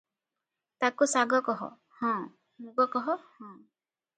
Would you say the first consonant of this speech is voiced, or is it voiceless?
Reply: voiceless